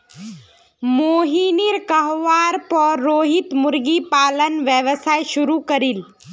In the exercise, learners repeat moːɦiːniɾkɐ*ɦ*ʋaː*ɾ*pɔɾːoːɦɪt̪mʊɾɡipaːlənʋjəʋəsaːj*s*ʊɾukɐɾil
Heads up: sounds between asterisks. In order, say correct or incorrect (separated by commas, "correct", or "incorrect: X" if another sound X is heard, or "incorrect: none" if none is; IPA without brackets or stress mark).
correct, correct, incorrect: ʃ